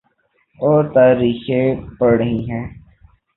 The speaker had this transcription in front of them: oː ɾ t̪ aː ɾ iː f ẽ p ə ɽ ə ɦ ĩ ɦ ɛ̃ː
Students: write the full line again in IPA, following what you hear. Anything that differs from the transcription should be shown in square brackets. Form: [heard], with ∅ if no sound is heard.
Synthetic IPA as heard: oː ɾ t̪ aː ɾ iː [x] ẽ p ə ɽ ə ɦ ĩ ɦ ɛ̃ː